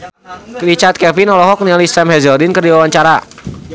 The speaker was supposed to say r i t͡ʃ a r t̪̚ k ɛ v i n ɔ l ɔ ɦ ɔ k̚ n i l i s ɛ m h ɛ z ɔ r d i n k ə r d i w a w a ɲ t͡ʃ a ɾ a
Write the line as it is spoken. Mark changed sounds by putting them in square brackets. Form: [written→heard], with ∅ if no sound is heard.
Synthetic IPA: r i t͡ʃ a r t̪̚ k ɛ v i n ɔ l ɔ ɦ ɔ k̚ n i l i s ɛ m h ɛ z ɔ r d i n k ə r d i w a w a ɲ t͡ʃ a ɾ a